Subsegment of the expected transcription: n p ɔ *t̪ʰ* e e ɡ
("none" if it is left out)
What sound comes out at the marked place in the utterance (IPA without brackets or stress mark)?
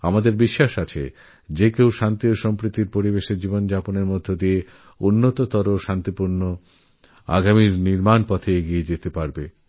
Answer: t̪ʰ